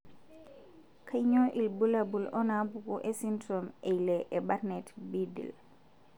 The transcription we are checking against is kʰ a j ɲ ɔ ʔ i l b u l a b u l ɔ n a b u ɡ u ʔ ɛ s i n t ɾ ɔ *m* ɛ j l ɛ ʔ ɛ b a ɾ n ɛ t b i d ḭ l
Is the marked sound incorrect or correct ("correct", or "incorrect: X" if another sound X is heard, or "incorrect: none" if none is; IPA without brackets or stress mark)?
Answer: correct